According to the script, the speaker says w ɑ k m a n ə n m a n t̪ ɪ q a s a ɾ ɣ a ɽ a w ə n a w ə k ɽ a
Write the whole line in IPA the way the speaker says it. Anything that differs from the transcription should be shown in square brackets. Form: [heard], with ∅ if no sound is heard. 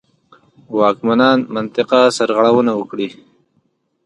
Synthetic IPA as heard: w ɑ k m a n [ɑ] n m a n t̪ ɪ q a s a ɾ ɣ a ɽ a w ə n a w ə k ɽ [i]